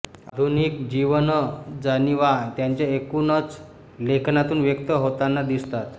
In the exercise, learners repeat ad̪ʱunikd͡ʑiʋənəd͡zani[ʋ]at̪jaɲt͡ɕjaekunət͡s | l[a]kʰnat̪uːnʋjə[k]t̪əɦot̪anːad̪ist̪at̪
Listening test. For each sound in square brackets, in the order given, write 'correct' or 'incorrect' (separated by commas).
correct, incorrect, correct